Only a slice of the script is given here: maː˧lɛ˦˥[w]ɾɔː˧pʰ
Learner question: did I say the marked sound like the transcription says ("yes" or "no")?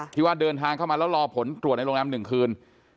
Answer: yes